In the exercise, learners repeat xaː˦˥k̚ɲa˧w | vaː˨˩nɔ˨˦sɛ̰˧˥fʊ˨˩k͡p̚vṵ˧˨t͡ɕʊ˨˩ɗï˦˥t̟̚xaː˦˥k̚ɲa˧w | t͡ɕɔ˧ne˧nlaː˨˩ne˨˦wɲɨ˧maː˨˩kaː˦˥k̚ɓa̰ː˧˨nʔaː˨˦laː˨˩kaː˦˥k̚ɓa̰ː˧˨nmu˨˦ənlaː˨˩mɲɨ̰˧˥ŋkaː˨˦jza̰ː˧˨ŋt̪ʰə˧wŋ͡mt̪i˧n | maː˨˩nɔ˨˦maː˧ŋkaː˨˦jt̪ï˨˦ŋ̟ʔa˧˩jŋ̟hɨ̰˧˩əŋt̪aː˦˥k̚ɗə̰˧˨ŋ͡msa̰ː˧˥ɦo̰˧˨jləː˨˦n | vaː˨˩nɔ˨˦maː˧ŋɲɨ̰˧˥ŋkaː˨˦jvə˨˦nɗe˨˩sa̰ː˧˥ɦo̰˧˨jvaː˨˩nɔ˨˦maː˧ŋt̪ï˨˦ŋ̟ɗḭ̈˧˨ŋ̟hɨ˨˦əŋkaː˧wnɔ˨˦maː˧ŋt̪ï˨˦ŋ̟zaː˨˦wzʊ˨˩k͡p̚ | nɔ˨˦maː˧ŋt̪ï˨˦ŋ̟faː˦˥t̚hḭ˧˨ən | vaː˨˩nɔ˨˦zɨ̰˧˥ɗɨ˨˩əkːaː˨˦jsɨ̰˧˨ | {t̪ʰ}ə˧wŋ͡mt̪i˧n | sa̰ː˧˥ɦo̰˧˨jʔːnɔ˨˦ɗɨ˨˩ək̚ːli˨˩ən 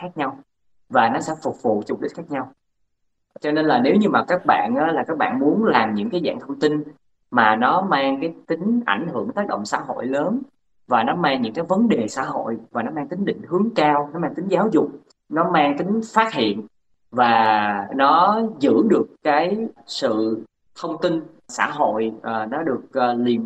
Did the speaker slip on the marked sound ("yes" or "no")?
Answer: no